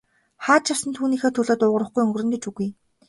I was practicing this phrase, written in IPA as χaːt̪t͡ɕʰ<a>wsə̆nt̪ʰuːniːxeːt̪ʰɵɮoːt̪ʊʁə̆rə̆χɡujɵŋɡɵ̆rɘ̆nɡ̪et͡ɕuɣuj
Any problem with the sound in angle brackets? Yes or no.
no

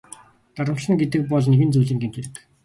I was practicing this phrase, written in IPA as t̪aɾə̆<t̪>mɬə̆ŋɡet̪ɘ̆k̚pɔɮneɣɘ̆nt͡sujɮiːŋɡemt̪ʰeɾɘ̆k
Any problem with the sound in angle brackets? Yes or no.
yes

